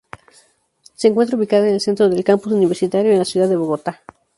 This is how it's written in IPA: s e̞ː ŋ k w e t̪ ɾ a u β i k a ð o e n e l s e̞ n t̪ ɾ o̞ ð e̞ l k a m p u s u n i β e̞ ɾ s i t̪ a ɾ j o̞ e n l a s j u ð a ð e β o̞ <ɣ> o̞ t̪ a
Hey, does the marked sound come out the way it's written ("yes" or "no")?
yes